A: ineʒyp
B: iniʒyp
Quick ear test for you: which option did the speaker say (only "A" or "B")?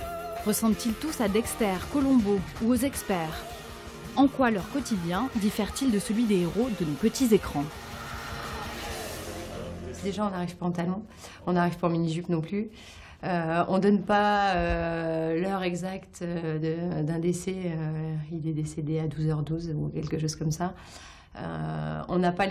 B